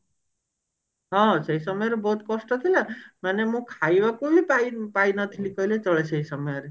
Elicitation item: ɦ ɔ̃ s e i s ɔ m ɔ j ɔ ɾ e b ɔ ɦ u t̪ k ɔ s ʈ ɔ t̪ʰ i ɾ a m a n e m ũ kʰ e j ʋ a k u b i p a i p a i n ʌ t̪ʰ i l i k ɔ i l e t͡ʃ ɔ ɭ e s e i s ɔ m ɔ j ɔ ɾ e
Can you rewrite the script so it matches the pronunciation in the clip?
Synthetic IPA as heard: ɦ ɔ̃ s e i s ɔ m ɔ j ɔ ɾ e b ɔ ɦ u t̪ k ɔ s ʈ ɔ t̪ʰ i l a m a n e m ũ kʰ a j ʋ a k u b i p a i p a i n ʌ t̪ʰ i l i k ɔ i l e t͡ʃ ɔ ɭ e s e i s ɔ m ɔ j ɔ ɾ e